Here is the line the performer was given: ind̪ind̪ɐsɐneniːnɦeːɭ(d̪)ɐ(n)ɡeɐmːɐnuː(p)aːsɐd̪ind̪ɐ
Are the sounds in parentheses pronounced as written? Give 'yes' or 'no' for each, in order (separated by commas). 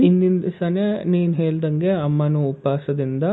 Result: yes, no, yes